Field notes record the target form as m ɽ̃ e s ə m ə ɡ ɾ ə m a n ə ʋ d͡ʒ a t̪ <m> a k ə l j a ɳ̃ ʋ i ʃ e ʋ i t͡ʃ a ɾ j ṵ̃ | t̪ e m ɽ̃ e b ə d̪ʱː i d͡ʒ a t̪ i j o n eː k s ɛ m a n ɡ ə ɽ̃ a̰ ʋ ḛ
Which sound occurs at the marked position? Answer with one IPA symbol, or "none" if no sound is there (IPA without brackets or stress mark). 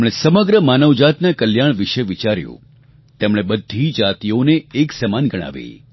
n